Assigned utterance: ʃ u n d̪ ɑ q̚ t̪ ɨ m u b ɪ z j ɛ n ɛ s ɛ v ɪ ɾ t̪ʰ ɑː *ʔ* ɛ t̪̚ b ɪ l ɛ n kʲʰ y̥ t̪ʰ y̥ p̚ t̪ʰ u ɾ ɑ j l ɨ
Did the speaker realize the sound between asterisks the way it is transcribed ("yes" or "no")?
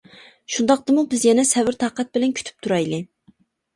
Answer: no